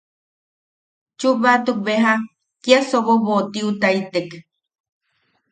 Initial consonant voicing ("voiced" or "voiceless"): voiceless